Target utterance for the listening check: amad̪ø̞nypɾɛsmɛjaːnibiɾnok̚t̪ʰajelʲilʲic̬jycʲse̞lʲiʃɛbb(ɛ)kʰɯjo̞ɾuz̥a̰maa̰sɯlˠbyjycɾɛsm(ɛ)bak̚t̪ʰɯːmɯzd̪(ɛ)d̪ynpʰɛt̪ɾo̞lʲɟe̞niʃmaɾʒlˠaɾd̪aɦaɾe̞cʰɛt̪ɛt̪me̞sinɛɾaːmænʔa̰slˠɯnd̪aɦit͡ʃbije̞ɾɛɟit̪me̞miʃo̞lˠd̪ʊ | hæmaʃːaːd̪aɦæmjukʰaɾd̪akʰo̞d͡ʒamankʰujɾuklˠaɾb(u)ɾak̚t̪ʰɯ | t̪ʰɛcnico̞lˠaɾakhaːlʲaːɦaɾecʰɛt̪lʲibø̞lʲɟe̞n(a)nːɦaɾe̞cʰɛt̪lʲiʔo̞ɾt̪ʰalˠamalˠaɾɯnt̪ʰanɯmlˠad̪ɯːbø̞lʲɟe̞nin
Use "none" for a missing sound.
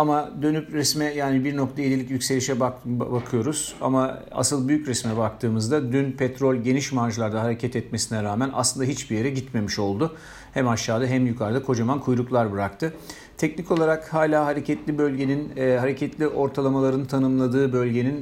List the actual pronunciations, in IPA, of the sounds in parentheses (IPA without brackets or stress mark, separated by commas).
a, ɛ, a, ɯ, i